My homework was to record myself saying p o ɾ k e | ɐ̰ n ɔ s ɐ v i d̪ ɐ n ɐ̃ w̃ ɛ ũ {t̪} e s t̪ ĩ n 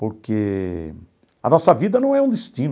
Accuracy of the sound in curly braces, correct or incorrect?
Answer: incorrect